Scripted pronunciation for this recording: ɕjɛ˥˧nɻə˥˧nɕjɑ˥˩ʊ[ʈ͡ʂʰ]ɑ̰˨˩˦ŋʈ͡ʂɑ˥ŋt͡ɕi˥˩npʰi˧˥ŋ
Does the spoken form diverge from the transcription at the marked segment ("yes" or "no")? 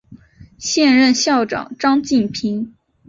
yes